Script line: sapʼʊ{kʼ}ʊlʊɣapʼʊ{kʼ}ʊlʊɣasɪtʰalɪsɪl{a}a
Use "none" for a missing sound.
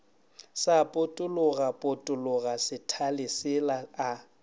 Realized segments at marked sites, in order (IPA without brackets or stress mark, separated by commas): tʼ, tʼ, a